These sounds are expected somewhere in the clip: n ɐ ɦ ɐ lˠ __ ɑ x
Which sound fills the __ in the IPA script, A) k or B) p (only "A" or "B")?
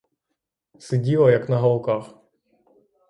A